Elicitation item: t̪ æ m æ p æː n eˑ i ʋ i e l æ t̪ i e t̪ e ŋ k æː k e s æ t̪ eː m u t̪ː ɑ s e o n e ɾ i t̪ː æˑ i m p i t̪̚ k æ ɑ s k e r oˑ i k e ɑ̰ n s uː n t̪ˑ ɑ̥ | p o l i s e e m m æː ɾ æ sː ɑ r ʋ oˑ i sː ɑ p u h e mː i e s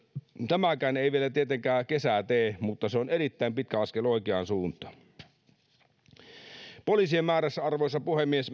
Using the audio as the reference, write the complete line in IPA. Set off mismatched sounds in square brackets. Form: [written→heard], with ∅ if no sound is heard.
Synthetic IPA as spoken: t̪ æ m æ [p→k] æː n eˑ i ʋ i e l æ t̪ i e t̪ e ŋ k æː k e s æ t̪ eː m u t̪ː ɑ s e o n e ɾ i t̪ː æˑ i m p i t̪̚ k æ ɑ s k e [r→l] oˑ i k e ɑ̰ n s uː n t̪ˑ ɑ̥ | p o l i s [e→i] e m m æː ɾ æ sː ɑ r ʋ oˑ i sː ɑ p u h e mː i e s